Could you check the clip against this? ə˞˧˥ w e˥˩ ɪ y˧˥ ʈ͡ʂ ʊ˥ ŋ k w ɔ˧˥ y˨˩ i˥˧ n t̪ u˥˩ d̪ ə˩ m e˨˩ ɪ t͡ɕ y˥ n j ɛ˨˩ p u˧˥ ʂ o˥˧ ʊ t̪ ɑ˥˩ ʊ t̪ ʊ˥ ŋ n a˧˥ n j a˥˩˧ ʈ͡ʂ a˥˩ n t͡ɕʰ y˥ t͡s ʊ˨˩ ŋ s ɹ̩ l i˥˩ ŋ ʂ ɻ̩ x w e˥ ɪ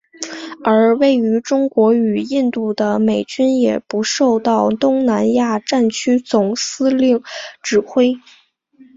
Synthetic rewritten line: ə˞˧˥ w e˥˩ ɪ y˧˥ ʈ͡ʂ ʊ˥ ŋ k w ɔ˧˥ y˨˩ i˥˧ n t̪ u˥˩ d̪ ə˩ m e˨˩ ɪ t͡ɕ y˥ n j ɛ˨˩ p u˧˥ ʂ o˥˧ ʊ t̪ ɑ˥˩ ʊ t̪ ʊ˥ ŋ n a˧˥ n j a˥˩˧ ʈ͡ʂ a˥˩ n t͡ɕʰ y˥ t͡s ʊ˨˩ ŋ s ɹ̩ l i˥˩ ŋ ʈ͡ʂ ɻ̩ x w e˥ ɪ